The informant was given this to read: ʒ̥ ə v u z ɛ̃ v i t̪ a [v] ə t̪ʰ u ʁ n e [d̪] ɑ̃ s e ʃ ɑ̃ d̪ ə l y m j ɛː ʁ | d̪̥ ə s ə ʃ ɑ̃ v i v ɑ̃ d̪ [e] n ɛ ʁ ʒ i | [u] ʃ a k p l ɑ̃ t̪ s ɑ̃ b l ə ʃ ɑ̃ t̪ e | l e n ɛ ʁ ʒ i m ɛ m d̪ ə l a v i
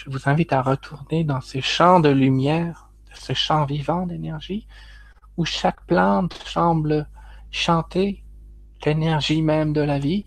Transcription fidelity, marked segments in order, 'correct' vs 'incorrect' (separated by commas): incorrect, correct, correct, correct